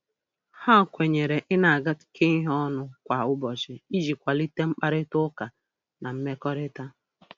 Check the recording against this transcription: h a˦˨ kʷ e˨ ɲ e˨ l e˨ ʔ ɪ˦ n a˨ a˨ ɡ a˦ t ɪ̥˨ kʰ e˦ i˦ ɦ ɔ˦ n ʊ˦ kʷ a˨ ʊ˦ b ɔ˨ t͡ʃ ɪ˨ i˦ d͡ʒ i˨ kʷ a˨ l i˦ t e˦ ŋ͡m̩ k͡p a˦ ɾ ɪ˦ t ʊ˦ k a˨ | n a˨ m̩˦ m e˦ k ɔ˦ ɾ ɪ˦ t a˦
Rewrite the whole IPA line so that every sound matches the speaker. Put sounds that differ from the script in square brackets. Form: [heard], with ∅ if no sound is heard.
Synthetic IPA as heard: h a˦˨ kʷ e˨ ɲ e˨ [ɾ] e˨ ʔ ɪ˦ n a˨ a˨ ɡ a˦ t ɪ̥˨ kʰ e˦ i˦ ɦ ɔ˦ n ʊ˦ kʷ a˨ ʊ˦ b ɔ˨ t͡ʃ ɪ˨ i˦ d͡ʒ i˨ kʷ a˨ l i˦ t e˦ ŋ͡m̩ k͡p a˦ ɾ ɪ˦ t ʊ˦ k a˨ | n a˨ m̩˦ m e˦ k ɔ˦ ɾ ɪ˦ t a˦